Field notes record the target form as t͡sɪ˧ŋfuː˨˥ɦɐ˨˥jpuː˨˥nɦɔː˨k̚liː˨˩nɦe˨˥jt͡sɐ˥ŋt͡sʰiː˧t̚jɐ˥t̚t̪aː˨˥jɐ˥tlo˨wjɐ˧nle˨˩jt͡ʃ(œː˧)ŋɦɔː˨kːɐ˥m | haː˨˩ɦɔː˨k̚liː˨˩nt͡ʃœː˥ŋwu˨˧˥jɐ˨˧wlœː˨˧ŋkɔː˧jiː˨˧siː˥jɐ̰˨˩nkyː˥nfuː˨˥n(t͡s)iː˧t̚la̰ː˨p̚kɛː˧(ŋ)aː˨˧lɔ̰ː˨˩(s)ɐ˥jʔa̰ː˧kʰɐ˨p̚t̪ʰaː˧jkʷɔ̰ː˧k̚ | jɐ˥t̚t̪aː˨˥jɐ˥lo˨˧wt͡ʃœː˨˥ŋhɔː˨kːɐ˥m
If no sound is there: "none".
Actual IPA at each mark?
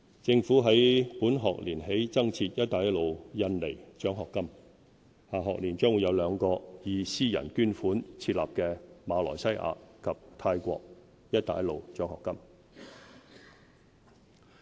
œː˨˥, t͡sʰ, m, s

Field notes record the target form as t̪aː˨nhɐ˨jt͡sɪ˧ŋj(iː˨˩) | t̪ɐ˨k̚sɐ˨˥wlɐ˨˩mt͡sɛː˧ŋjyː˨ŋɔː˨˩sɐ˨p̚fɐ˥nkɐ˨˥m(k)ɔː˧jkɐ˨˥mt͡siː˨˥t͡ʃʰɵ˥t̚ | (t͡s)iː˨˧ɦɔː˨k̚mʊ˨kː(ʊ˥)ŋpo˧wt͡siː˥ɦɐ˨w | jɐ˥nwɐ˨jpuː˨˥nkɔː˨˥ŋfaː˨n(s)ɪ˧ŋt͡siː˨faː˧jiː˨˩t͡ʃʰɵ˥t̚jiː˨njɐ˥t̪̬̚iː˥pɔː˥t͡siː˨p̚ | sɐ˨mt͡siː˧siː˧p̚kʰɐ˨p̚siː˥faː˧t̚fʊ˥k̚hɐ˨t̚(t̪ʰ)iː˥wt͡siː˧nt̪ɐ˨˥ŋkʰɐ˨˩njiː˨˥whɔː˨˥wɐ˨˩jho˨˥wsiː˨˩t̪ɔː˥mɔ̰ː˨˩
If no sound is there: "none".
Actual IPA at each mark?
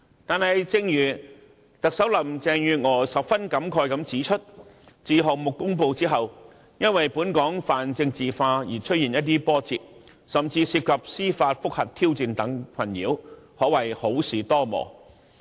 yː˨˩, kʰ, t͡s, ʊ˥, t͡s, t̪ʰ

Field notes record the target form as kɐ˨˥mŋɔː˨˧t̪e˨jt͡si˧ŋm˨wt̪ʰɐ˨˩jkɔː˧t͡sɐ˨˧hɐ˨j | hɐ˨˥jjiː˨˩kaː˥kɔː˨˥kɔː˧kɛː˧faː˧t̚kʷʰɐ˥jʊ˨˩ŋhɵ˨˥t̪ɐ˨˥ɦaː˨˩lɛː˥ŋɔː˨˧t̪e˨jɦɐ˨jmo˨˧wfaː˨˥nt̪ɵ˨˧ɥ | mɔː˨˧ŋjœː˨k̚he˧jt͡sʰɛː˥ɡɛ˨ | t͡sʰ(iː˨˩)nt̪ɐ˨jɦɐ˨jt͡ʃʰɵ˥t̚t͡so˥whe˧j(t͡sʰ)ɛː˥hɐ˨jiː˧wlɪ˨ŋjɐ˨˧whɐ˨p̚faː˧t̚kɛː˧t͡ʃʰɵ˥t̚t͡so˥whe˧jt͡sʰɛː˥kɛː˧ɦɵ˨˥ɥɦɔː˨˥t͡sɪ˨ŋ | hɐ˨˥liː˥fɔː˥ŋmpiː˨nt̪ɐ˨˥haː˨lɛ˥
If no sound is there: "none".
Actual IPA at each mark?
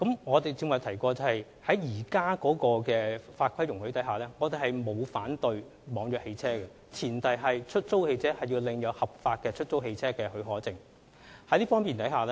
iː˨˩, t͡sʰ

